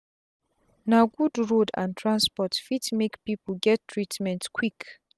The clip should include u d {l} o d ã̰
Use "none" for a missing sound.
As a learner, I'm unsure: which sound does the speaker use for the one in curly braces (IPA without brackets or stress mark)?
ɹ